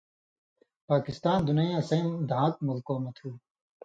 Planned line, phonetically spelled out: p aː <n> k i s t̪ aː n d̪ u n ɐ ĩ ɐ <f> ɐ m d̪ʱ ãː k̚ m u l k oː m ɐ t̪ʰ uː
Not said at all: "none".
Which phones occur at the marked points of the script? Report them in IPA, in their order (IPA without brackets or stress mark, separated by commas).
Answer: none, s